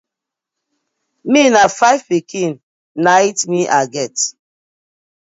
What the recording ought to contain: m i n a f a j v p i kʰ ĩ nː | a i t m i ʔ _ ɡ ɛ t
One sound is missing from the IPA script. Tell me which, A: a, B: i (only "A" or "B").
A